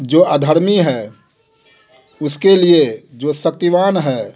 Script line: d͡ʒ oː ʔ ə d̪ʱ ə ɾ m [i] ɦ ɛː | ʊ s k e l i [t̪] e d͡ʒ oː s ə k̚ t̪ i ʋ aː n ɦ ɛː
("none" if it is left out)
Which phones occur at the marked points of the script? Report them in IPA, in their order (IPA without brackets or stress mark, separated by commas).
i, none